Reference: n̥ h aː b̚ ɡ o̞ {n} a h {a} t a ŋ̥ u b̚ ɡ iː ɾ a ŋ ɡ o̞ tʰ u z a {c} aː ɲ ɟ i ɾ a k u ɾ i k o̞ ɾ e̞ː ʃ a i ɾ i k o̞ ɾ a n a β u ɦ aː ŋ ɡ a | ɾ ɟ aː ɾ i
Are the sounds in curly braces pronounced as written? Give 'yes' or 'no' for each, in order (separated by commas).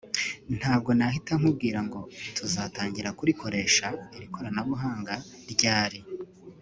yes, no, no